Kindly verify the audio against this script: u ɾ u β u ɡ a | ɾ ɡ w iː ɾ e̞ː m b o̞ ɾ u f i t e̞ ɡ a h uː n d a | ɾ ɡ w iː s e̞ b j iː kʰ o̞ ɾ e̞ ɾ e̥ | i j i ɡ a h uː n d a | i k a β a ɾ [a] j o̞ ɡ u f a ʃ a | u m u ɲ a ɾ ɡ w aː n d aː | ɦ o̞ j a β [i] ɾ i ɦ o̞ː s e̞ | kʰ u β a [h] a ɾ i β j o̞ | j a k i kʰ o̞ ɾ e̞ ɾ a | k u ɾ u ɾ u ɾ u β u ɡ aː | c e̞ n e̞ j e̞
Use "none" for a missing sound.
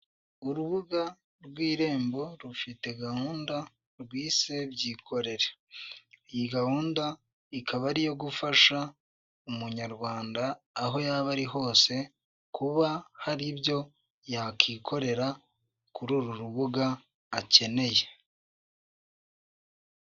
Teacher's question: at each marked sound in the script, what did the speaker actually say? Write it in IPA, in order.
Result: i, a, h

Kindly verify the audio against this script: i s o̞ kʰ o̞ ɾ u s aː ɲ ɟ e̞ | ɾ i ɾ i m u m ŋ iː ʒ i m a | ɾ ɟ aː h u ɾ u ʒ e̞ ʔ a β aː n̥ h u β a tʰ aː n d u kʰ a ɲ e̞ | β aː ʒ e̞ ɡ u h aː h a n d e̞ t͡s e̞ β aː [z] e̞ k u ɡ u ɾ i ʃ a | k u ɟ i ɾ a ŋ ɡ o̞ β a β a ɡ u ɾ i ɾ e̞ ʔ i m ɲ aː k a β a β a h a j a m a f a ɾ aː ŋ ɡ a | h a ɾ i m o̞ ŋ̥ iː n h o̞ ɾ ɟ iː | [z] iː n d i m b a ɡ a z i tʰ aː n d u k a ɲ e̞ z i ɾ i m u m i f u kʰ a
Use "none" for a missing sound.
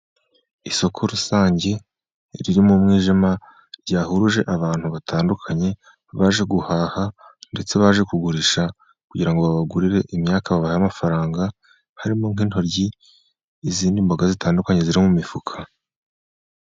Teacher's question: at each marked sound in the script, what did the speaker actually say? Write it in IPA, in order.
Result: ʒ, z

